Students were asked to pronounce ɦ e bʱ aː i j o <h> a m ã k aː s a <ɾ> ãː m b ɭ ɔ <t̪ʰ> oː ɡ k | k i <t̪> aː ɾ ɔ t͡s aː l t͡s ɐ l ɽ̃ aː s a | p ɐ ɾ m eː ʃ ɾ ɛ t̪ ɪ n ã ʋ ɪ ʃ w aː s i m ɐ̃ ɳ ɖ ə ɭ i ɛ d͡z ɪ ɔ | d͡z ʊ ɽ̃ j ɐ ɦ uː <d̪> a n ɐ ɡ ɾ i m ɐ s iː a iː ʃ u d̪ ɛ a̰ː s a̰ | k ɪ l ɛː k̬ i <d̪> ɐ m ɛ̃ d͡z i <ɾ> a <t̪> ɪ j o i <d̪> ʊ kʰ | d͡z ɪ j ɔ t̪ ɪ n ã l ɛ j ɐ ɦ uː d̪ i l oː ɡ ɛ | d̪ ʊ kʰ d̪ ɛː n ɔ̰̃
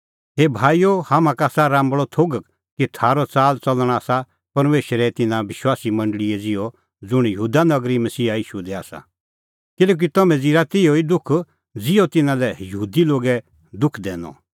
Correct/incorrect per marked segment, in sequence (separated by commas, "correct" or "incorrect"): correct, correct, correct, incorrect, correct, incorrect, correct, correct, correct